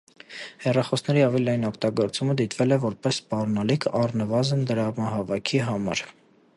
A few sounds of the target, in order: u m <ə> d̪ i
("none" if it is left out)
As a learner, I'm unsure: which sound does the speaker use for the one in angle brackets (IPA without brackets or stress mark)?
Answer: ə